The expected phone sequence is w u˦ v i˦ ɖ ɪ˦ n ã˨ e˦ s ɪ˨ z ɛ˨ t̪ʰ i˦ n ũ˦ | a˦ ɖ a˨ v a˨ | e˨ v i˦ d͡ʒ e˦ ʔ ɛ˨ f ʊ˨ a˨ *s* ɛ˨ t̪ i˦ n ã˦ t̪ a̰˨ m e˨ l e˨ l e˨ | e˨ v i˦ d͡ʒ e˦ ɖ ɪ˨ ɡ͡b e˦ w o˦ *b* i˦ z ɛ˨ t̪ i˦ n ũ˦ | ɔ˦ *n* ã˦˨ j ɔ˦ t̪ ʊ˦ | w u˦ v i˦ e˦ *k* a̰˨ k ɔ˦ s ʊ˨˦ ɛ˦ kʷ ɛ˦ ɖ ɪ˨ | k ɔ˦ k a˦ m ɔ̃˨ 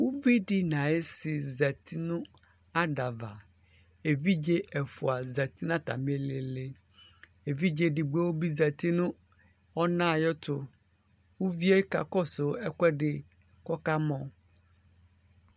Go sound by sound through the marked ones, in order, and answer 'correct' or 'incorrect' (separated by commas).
incorrect, correct, correct, correct